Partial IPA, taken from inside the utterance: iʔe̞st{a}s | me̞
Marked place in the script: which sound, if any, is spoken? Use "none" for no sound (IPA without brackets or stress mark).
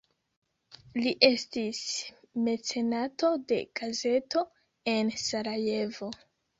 i